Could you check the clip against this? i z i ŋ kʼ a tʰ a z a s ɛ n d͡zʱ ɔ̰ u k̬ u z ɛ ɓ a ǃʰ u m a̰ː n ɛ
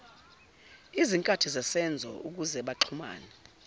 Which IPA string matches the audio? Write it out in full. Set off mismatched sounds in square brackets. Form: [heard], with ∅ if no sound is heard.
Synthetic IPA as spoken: i z i ŋ kʼ a tʰ [i] z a s ɛ n d͡zʱ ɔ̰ u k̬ u z ɛ ɓ a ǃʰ u m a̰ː n ɛ